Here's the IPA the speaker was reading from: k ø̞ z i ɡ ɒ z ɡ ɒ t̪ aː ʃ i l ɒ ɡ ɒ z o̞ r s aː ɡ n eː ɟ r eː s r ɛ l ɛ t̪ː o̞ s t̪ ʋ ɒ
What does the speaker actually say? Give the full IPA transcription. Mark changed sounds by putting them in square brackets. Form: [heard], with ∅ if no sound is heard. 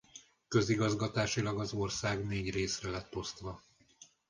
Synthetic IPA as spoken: k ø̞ z i ɡ ɒ z ɡ ɒ t̪ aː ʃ i l ɒ ɡ ɒ z o̞ r s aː ɡ n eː ɟ r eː s r ɛ l ɛ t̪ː o̞ s t̪ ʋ ɒ